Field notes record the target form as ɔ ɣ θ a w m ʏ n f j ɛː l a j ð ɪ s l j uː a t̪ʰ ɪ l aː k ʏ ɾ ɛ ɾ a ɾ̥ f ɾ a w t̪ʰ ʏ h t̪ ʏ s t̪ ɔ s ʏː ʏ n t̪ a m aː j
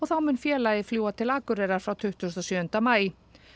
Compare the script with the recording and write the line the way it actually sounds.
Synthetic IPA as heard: ɔ ɣ θ a w m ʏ n f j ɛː l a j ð ɪ f l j uː a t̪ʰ ɪ l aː k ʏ ɾ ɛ ɾ a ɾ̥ f ɾ a w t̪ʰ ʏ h t̪ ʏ s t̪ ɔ s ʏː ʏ n t̪ a m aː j